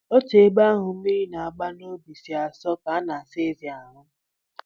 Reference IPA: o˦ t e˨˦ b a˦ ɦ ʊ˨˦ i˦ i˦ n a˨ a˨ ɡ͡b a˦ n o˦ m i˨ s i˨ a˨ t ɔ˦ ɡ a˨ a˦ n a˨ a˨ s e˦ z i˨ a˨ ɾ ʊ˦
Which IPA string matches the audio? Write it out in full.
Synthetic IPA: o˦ t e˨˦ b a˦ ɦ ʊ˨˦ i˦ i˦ n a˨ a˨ ɡ͡b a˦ n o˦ b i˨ s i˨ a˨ s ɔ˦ k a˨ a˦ n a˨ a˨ s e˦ z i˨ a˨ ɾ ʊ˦